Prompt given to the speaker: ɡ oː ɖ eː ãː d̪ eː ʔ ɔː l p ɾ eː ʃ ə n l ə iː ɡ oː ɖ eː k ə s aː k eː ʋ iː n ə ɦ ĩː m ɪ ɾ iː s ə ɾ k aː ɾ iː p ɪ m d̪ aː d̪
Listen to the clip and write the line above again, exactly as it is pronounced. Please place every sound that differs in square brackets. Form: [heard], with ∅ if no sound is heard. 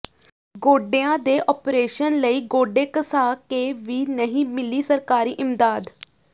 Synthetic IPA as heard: ɡ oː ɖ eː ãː d̪ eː ʔ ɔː [∅] p ɾ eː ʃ ə n l ə iː ɡ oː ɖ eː k ə s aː k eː ʋ iː n ə ɦ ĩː m ɪ [l] iː s ə ɾ k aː ɾ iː [ʔ] ɪ m d̪ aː d̪